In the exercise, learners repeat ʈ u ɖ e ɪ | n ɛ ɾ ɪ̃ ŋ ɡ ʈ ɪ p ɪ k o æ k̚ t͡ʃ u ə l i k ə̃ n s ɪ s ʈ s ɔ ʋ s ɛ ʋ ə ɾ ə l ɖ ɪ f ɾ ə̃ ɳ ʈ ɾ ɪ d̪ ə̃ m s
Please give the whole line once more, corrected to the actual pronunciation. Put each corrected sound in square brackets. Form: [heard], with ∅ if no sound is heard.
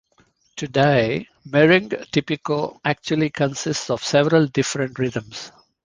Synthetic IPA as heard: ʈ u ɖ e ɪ | [m] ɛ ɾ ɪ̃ ŋ ɡ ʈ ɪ p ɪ k o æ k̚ t͡ʃ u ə l i k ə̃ n s ɪ s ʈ s ɔ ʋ s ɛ ʋ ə ɾ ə l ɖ ɪ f ɾ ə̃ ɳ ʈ ɾ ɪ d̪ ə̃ m s